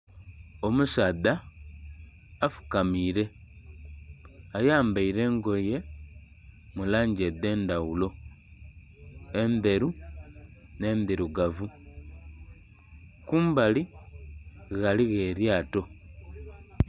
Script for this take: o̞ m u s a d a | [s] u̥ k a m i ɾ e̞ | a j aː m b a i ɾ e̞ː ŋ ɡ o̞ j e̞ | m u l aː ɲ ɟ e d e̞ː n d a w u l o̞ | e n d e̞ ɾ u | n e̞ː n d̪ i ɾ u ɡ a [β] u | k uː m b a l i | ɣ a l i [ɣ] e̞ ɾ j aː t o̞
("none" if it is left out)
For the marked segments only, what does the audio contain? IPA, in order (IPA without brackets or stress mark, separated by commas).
f, v, ɣ